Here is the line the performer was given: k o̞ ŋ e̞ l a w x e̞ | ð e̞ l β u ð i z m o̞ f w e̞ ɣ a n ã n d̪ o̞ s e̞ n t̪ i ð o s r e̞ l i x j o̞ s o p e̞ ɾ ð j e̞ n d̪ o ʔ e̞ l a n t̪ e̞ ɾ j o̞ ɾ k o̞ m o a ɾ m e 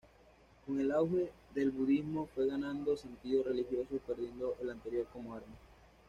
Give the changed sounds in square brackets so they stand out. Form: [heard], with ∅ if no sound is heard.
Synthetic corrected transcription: k o̞ ŋ e̞ l a w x e̞ | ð e̞ l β u ð i z m o̞ f w e̞ ɣ a n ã n d̪ o̞ s e̞ n t̪ i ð o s r e̞ l i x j o̞ s o p e̞ ɾ ð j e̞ n d̪ o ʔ e̞ l a n t̪ e̞ ɾ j o̞ ɾ k o̞ m o a ɾ m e